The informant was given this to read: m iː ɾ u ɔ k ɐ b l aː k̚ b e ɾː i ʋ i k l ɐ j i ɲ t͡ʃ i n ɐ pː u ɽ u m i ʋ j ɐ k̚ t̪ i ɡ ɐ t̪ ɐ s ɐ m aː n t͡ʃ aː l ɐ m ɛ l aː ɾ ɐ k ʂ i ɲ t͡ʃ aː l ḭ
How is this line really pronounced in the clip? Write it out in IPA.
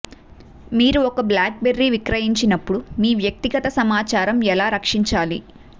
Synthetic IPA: m iː ɾ u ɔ k ɐ b l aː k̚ b e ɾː i ʋ i k ɾ ɐ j i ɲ t͡ʃ i n ɐ pː u ɽ u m iː ʋ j ɐ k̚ t̪ i ɡ ɐ t̪ ɐ s ɐ m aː t͡ʃ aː ɾ ɐ m ɛ l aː ɾ ɐ k ʂ i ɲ t͡ʃ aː l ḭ